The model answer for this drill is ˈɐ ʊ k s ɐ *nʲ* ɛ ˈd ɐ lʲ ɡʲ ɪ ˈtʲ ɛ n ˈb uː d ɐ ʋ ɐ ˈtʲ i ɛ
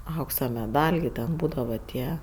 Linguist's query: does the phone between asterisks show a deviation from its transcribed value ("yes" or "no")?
yes